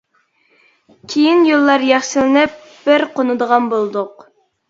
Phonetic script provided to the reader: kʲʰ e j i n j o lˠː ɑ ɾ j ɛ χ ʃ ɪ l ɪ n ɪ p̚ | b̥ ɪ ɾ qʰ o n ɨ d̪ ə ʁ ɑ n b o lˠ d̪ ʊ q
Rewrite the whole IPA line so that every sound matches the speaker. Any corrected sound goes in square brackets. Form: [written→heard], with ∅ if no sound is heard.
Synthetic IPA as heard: kʲʰ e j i n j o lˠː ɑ ɾ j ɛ χ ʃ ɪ l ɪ n ɪ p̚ | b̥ ɪ ɾ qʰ o n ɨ d̪ ə ʁ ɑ n b o lˠ d̪ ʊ q